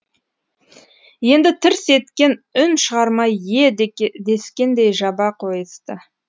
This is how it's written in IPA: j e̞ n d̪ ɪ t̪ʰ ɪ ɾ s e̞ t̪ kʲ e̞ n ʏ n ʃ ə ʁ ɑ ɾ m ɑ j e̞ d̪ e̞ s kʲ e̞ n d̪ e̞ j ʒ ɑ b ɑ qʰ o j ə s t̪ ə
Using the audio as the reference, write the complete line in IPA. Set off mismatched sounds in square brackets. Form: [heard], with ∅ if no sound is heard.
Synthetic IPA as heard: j e̞ n d̪ ɪ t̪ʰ ɪ ɾ s e̞ t̪ kʲ e̞ n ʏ n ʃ ə ʁ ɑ ɾ m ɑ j e̞ d̪ e̞ s kʲ e̞ n d̪ e̞ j ʒ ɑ b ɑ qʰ o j ə s t̪ ə